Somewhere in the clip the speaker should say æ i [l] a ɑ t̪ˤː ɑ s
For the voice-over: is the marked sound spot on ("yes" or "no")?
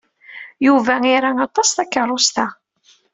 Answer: no